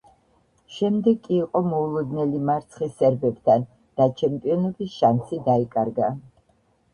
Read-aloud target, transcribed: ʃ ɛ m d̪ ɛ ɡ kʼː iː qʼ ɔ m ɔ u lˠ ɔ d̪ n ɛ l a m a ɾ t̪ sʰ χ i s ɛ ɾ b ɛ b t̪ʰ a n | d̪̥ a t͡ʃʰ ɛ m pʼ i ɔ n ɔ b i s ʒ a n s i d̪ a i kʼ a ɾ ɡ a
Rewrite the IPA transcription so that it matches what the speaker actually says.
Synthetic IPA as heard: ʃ ɛ m d̪ ɛ ɡ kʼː iː qʼ ɔ m ɔ u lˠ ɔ d̪ n ɛ l i m a ɾ t̪ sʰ χ i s ɛ ɾ b ɛ b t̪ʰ a n | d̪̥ a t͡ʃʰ ɛ m pʼ i ɔ n ɔ b i s ʃ a n s i d̪ a i kʼ a ɾ ɡ a